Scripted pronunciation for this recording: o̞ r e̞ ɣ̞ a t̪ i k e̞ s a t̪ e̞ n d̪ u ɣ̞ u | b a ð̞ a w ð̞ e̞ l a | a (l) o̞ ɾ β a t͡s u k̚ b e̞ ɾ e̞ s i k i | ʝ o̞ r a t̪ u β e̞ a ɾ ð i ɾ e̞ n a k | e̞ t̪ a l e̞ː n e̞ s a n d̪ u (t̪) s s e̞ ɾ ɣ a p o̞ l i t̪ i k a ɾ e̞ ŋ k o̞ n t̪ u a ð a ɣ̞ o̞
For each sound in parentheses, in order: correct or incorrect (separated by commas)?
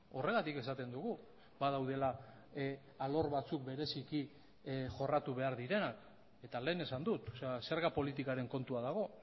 correct, correct